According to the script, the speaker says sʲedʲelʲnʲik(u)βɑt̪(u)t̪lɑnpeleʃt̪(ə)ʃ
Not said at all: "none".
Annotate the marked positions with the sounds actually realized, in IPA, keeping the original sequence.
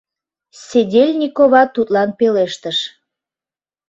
o, u, ə

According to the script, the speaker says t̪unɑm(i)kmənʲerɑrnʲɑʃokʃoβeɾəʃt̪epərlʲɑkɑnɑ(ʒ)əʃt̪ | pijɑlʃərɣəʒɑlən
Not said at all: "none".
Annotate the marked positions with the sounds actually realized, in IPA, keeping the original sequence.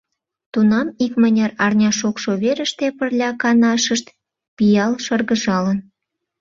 i, ʃ

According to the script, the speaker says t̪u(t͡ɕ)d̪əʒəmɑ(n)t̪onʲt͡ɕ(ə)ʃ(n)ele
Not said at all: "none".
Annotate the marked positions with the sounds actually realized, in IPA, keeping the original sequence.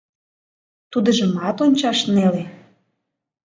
none, none, ɑ, n

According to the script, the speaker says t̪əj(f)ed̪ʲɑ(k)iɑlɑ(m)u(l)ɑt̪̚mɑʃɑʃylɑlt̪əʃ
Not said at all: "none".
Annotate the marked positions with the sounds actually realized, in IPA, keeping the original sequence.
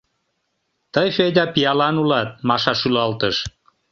f, p, n, l

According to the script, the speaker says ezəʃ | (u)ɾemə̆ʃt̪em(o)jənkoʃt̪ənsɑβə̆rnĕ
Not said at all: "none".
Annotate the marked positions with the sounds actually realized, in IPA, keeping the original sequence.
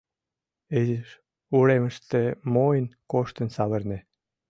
u, o

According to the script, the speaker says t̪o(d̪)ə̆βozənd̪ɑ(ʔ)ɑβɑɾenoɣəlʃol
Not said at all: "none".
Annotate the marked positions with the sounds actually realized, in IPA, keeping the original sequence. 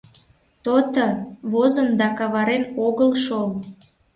t̪, k

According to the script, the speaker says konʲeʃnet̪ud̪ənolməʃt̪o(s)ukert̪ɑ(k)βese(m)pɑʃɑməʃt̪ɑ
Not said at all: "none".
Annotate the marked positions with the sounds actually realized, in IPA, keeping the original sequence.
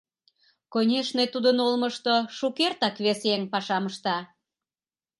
ʃ, k, ŋ

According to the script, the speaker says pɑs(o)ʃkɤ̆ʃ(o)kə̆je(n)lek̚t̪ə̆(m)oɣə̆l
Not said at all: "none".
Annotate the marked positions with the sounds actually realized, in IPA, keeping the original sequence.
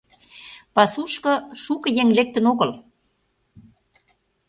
u, u, ŋ, n

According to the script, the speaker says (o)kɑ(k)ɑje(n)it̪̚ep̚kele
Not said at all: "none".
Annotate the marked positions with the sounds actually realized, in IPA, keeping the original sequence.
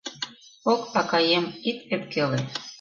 o, k, m

